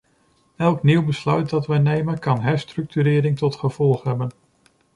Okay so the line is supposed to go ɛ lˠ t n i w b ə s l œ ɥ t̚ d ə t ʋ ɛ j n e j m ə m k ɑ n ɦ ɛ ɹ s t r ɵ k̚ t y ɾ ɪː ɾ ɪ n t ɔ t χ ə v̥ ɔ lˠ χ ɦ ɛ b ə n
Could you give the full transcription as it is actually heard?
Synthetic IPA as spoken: ɛ lˠ k n i w b ə s l œ ɥ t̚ d ɑ t ʋ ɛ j n e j m ə n k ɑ n ɦ ɛ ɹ s t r ɵ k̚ t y ɾ ɪː ɾ ɪ ŋ t ɔ t χ ə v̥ ɔ lˠ χ ɦ ɛ b ə n